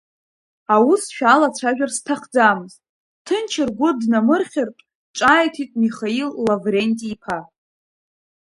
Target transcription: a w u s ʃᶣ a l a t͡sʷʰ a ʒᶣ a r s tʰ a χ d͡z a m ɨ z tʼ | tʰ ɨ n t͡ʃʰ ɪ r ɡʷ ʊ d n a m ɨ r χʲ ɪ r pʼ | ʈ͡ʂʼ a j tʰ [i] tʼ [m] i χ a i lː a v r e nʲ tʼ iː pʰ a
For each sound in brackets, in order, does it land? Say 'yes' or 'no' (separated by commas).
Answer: yes, yes